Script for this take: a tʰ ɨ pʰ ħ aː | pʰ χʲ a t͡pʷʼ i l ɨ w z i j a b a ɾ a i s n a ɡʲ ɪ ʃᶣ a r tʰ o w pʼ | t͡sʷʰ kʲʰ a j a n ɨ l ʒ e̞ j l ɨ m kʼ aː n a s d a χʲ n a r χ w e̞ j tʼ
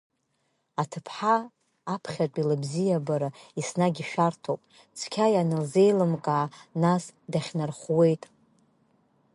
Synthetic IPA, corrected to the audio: a tʰ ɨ pʰ ħ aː | pʰ χʲ a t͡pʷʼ i l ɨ b z i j a b a ɾ a i s n a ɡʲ i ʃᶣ a r tʰ o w pʼ | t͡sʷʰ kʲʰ a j a n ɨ l z e̞ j l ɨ m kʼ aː n a s d a χʲ n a r χ w e̞ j tʼ